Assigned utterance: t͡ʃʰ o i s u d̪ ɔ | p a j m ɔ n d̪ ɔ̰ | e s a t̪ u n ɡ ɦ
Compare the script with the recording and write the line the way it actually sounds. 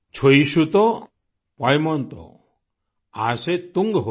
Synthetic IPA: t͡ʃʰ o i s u t̪ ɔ | p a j m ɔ n t̪ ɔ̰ | a s e t̪ u ŋ ɡ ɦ